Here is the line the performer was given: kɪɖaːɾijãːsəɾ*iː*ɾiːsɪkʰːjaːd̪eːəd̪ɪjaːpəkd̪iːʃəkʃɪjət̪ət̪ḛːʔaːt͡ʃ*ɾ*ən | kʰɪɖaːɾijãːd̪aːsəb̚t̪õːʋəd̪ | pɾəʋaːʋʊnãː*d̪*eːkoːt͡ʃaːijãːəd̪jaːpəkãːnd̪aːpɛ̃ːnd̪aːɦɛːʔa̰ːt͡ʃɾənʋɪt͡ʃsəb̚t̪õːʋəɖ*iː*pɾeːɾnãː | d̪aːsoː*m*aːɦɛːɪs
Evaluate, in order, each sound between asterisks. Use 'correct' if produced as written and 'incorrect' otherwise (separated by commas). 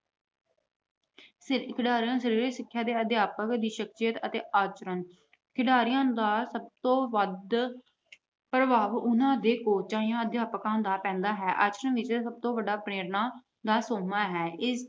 correct, correct, correct, incorrect, correct